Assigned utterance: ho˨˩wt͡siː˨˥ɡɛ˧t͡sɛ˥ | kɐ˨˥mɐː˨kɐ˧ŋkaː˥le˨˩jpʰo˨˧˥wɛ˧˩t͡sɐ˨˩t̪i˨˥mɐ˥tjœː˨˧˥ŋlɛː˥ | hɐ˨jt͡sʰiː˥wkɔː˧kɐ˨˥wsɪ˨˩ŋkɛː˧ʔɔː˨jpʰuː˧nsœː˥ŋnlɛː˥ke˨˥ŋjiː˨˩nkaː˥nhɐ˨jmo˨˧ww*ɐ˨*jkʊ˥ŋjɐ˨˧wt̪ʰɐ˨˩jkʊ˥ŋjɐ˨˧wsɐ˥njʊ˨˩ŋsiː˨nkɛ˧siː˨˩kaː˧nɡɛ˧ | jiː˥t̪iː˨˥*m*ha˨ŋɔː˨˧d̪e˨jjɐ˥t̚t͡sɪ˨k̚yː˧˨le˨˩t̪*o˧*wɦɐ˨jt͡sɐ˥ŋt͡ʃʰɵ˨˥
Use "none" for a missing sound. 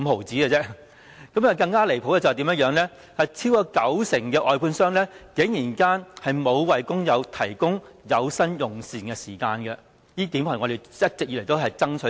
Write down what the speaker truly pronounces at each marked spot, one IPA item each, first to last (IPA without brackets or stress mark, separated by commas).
ɐ˨, m, o˥